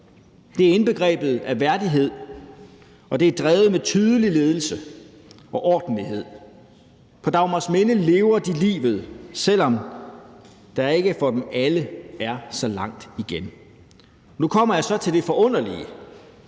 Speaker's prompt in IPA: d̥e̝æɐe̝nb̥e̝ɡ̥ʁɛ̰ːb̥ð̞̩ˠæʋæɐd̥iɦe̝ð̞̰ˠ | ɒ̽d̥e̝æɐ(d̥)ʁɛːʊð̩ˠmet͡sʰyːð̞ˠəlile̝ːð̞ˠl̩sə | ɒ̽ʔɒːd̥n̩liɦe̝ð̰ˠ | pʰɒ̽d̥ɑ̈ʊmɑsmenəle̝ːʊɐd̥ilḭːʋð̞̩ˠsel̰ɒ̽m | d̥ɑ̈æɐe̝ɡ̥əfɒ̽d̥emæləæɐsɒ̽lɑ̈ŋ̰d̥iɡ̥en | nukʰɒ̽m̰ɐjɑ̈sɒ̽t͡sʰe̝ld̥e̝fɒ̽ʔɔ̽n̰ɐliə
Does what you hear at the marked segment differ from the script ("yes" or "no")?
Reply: no